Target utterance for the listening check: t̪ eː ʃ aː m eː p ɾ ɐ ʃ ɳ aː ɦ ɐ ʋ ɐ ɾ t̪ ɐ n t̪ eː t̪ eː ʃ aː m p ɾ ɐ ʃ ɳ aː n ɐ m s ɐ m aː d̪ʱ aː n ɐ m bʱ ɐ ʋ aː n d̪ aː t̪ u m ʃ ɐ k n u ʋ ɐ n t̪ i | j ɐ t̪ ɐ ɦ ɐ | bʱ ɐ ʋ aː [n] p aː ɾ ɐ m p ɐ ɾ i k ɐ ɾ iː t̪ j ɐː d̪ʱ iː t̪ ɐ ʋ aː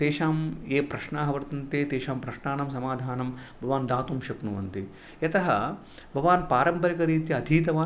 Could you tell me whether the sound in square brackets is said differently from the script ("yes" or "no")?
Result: no